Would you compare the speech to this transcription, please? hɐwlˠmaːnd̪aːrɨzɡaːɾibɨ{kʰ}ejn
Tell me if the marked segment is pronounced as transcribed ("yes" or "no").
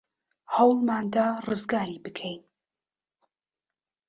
yes